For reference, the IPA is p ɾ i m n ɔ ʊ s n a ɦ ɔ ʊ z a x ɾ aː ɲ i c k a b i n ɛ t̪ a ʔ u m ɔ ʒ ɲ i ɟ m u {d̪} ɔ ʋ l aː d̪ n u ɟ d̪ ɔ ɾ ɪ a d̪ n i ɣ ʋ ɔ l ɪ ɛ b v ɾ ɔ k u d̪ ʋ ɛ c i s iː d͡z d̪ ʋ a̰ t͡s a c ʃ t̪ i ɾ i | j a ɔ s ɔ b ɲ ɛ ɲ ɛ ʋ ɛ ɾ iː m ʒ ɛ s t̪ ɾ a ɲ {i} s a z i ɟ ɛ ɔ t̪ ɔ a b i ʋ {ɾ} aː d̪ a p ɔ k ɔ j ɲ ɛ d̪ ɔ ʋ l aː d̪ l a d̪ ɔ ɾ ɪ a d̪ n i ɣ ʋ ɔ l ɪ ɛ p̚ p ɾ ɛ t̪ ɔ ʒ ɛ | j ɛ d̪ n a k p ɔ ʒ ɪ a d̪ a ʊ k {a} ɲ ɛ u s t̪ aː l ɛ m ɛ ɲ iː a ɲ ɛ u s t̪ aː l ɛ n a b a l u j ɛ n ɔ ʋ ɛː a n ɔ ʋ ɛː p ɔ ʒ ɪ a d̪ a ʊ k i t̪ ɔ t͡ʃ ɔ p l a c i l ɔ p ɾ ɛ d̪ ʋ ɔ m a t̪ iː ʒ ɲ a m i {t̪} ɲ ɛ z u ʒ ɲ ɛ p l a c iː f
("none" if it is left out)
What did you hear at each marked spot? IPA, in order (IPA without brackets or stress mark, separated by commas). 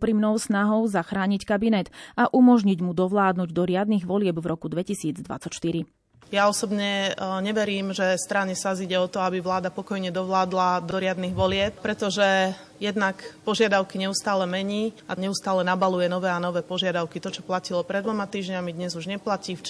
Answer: d̪, ɛ, l, i, d̪